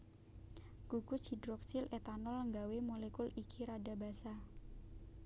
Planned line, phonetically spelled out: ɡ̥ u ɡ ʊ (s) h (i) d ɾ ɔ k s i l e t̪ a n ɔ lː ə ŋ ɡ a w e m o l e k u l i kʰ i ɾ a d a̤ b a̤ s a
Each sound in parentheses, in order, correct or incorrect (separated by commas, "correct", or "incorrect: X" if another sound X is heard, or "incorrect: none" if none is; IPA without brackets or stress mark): correct, correct